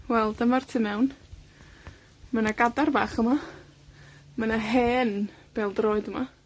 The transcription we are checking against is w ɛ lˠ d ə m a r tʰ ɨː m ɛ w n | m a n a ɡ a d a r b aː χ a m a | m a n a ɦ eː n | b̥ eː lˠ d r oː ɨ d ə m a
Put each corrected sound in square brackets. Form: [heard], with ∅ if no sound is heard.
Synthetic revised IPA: w ɛ lˠ d ə m a r tʰ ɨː m ɛ w n | m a n a ɡ a d a r b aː χ [ə] m a | m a n a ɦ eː n | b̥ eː lˠ d r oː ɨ d ə m a